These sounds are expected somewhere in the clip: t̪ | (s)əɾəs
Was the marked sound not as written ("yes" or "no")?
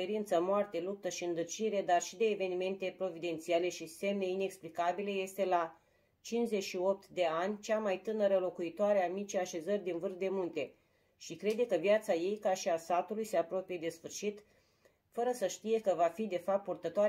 yes